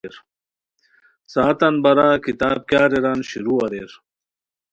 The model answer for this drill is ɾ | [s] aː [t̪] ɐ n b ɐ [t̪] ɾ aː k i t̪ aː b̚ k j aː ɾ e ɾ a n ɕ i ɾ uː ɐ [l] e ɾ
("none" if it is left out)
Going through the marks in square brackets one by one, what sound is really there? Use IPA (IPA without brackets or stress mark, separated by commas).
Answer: s, t̪, none, ɾ